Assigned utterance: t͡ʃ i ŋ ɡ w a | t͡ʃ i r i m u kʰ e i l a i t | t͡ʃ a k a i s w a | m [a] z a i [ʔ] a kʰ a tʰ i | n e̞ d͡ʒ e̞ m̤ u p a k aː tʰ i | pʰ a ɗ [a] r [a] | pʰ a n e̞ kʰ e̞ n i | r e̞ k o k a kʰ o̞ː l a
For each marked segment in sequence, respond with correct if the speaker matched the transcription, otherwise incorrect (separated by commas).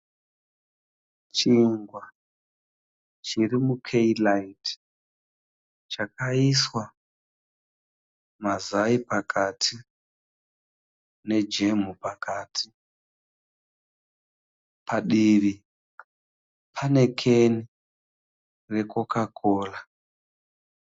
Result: correct, incorrect, incorrect, incorrect